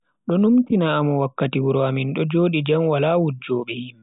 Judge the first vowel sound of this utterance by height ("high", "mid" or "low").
mid